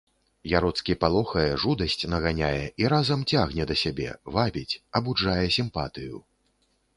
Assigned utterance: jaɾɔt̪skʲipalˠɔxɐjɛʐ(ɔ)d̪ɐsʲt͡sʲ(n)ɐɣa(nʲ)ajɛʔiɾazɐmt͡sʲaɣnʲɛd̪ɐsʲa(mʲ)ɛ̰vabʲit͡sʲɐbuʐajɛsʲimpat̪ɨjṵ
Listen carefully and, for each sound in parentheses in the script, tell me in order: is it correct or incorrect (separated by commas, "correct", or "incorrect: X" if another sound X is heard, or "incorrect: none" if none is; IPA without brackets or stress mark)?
incorrect: u, correct, correct, incorrect: bʲ